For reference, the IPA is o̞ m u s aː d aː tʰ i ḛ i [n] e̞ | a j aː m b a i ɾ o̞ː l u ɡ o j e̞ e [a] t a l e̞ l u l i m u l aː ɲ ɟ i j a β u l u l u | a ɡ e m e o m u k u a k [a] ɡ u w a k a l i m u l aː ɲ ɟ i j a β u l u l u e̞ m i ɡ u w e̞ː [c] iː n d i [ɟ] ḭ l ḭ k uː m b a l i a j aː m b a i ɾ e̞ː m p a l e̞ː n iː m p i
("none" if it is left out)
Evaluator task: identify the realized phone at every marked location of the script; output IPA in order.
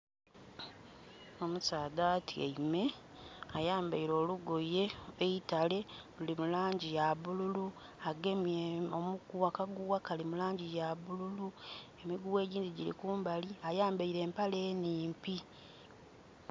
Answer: m, i, a, ɟ, ɟ

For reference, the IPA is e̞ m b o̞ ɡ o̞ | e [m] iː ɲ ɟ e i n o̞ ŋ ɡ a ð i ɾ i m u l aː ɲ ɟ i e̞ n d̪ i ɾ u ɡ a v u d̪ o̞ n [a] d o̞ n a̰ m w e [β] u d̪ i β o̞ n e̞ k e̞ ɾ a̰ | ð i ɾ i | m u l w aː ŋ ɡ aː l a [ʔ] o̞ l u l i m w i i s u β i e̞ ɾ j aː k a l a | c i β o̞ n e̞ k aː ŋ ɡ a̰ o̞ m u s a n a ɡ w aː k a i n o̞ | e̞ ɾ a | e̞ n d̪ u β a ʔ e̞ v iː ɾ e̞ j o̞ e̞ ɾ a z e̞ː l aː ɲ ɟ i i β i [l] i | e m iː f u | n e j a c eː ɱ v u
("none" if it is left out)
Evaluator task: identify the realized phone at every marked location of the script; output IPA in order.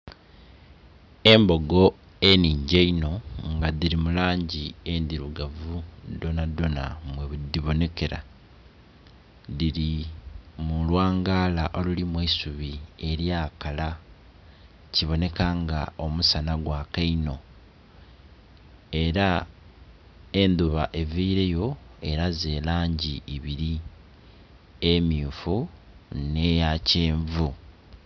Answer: n, a, β, ʔ, ɾ

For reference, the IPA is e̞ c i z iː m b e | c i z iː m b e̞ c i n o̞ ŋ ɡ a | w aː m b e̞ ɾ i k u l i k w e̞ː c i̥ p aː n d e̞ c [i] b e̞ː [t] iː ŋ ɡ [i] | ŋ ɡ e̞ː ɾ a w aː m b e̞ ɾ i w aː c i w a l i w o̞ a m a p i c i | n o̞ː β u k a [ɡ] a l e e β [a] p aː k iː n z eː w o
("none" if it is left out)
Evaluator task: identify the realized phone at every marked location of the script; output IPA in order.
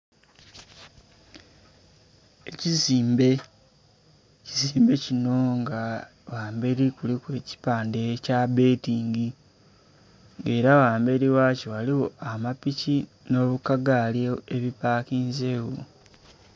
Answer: a, t, i, ɡ, i

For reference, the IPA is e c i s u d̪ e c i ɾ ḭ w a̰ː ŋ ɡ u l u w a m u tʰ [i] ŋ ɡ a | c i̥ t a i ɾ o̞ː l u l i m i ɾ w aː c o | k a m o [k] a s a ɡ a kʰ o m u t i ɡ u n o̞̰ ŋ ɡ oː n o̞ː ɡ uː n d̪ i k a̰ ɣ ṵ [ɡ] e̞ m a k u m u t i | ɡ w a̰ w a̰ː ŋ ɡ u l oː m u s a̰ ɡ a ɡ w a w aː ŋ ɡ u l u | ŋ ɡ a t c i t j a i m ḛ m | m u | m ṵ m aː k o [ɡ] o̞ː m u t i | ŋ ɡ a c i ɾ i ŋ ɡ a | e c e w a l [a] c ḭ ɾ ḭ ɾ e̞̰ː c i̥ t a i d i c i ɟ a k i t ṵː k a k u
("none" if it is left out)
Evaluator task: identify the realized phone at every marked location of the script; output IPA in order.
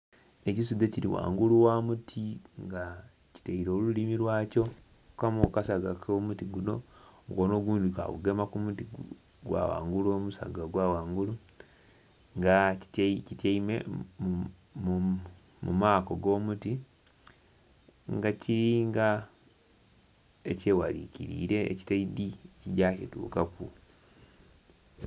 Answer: i, k, ɡ, ɡ, i

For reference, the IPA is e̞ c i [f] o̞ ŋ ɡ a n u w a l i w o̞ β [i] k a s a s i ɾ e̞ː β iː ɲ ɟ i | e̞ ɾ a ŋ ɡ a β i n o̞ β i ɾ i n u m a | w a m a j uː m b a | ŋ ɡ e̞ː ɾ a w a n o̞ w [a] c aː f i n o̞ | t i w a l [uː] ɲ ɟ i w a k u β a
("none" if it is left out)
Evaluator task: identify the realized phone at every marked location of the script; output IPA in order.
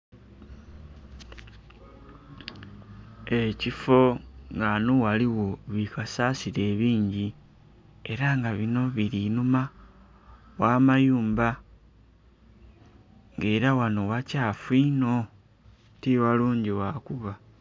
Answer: f, i, a, uː

